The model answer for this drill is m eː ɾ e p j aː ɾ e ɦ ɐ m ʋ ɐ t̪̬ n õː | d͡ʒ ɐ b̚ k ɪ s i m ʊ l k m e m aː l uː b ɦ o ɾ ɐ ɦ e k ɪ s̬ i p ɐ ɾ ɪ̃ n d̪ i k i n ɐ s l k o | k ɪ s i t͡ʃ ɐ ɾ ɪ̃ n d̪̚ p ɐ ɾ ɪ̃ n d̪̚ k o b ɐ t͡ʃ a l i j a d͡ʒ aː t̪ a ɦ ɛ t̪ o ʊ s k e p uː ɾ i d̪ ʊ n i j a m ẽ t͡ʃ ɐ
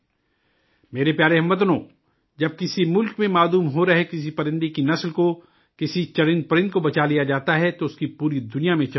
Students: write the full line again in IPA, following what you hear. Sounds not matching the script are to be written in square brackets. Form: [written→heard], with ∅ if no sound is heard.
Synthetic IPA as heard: m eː ɾ e p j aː ɾ e ɦ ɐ m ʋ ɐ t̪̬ n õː | d͡ʒ ɐ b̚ k ɪ s i m ʊ l k m [e→ẽ] m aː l uː [b→m] ɦ o ɾ ɐ ɦ e k ɪ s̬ i p ɐ ɾ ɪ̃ n d̪ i k i n ɐ s l k o | k ɪ s i t͡ʃ ɐ ɾ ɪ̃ n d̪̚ p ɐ ɾ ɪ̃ n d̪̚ k o b ɐ t͡ʃ a l i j a d͡ʒ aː t̪ a ɦ ɛ t̪ o ʊ s k [e→i] p uː ɾ i d̪ ʊ n i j a m ẽ t͡ʃ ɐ